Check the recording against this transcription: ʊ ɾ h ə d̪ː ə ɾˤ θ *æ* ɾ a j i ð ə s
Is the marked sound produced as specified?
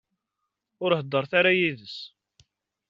no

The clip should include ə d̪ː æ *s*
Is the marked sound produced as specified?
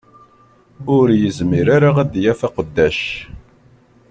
no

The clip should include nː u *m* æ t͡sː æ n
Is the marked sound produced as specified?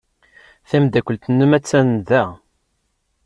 yes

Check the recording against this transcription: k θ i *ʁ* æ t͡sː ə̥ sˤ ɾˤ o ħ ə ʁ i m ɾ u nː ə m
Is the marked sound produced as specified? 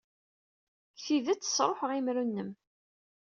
no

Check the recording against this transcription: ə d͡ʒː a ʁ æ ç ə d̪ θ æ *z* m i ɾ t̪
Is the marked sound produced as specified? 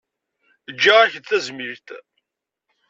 yes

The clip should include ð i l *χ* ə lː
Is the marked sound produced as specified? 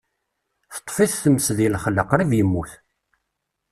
yes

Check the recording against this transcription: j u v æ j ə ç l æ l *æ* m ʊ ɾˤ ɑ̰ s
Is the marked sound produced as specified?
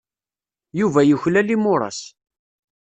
no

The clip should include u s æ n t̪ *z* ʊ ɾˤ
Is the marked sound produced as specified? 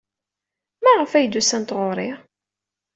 no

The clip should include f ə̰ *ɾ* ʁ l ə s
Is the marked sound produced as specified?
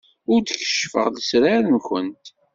no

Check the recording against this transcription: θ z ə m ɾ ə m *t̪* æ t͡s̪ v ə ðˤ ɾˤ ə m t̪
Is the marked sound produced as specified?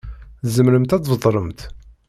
yes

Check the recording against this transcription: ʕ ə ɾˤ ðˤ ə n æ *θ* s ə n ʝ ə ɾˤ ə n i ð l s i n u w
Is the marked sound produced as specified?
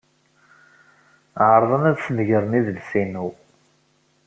no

